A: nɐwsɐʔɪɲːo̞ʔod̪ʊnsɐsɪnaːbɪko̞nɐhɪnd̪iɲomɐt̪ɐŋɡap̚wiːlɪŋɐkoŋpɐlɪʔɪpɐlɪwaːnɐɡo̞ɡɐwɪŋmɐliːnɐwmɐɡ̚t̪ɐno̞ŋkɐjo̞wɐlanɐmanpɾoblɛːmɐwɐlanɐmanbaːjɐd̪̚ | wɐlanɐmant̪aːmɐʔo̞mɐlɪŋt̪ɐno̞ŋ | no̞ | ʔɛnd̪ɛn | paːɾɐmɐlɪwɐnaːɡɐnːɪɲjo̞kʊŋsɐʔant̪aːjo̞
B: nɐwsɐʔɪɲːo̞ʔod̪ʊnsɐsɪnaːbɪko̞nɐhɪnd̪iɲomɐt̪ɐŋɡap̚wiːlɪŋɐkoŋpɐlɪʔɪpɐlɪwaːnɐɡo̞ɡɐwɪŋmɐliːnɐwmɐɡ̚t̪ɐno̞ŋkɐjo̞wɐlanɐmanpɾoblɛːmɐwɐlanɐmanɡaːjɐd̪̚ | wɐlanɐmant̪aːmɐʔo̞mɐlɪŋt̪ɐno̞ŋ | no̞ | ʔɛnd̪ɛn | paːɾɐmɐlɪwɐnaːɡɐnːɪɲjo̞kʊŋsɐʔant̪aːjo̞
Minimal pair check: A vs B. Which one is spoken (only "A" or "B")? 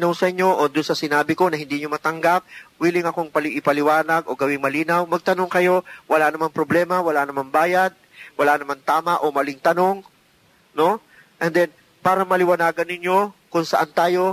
A